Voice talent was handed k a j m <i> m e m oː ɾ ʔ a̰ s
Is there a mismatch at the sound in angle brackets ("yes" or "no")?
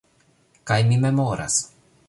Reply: no